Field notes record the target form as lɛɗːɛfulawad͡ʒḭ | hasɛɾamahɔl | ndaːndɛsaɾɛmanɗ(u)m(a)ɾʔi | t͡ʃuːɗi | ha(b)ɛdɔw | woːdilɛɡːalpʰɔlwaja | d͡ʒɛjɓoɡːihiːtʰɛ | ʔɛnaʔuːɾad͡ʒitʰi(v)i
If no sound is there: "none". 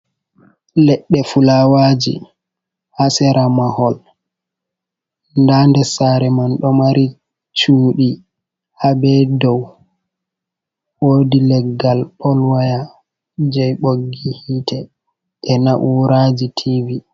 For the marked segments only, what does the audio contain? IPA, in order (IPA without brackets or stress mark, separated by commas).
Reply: ɔ, a, b, v